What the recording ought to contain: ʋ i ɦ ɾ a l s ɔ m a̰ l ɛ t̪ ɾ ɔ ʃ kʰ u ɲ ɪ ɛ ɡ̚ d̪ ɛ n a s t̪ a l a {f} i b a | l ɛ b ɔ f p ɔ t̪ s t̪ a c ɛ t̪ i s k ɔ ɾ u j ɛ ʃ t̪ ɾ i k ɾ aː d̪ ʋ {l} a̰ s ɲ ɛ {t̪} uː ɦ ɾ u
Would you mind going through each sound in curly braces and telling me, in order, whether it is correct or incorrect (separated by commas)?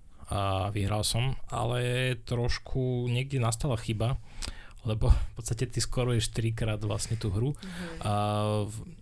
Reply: incorrect, correct, correct